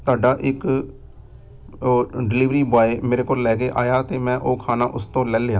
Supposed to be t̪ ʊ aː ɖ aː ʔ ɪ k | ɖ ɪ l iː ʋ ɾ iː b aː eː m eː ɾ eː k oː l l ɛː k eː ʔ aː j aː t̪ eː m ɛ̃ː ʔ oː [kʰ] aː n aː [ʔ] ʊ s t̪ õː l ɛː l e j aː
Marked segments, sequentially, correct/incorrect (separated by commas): correct, correct